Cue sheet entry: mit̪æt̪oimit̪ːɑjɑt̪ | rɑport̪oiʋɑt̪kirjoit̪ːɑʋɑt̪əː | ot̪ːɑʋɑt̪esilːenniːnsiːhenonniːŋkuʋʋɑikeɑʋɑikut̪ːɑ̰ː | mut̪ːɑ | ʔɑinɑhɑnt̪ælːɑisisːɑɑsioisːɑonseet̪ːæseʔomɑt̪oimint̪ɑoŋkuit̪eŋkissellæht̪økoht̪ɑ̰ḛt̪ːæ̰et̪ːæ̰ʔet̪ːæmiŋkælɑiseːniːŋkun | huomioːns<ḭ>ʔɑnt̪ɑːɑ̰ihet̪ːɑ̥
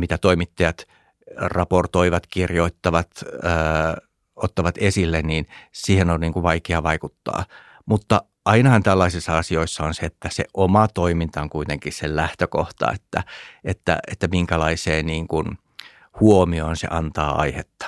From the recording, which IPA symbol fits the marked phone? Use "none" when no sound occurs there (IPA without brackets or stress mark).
ḛ